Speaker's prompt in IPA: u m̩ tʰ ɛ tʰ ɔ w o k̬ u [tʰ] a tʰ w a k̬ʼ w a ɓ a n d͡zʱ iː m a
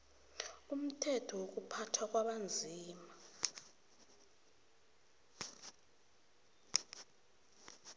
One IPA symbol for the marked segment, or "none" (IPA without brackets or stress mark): pʰ